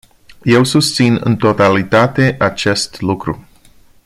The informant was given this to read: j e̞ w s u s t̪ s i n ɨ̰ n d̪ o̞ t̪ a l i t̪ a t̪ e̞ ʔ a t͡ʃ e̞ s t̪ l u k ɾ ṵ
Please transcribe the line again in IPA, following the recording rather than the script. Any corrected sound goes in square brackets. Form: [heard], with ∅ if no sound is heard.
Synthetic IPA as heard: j e̞ w s u s t̪ s i n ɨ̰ n [t̪] o̞ t̪ a l i t̪ a t̪ e̞ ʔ a t͡ʃ e̞ s t̪ l u k ɾ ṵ